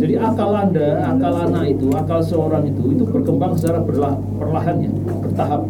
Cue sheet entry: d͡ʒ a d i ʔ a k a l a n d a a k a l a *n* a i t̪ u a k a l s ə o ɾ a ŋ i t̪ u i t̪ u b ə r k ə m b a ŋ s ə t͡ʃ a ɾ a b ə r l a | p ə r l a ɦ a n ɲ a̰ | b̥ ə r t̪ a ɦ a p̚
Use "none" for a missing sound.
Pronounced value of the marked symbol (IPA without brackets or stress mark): n